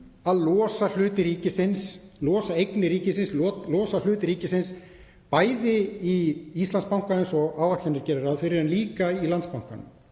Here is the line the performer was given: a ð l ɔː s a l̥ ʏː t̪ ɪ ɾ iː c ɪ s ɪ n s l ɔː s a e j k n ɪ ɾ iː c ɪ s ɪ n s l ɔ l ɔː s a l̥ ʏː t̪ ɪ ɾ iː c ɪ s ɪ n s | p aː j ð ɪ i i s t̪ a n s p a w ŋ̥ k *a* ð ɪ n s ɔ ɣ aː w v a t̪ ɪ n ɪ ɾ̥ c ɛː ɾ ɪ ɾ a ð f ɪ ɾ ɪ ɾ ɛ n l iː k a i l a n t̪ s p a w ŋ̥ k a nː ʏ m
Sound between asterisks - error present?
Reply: no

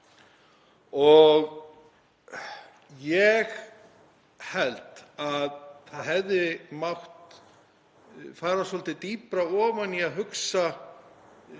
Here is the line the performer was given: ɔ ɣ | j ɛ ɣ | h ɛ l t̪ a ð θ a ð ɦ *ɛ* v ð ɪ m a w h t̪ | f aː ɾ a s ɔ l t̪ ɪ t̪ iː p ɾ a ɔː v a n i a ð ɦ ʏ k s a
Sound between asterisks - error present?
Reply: no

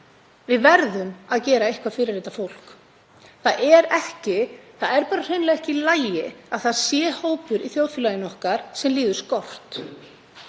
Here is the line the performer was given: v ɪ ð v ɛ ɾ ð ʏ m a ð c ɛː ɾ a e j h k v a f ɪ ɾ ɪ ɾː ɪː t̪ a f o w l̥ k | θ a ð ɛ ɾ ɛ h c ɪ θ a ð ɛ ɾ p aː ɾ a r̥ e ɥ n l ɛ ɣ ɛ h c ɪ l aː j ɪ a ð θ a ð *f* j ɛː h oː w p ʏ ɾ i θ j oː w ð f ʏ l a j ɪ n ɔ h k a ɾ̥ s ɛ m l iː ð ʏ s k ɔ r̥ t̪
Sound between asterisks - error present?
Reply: yes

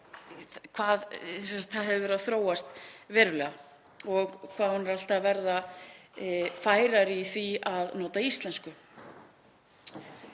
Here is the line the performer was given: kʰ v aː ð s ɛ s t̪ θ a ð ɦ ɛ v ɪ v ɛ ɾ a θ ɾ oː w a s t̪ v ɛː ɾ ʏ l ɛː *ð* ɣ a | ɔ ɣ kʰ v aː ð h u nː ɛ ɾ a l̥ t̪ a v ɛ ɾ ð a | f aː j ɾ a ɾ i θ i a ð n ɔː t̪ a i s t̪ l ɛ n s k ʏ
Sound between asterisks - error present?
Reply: yes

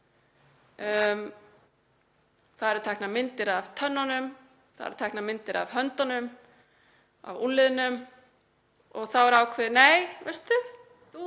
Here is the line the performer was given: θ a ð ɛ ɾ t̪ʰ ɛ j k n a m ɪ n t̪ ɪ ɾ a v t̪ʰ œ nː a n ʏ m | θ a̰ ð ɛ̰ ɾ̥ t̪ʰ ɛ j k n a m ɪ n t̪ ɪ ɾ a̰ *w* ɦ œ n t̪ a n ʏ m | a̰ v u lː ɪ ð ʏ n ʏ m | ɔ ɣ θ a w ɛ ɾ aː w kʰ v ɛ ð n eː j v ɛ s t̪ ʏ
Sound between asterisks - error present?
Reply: yes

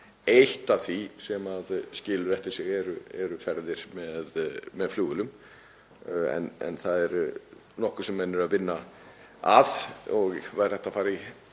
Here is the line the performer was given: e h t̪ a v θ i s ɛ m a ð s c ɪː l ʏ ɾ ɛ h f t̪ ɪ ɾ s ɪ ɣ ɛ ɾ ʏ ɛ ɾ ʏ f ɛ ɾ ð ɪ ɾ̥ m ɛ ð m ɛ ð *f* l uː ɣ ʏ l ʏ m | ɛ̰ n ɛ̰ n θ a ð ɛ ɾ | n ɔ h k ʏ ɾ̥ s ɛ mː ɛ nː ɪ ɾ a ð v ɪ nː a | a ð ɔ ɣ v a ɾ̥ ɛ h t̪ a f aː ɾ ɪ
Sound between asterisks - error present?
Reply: no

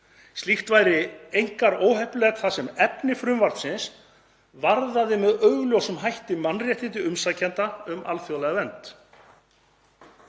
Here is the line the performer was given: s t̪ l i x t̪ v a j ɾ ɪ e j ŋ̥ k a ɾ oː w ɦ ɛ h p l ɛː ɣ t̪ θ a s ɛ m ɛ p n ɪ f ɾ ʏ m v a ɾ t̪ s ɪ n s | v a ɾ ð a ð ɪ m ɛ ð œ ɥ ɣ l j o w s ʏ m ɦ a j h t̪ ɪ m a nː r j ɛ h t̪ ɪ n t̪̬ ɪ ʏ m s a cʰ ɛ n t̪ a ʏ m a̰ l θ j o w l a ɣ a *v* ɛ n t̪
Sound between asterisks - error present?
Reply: no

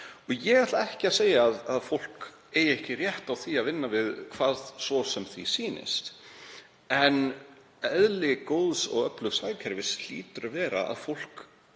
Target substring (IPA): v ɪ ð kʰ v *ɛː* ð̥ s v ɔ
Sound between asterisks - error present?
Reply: yes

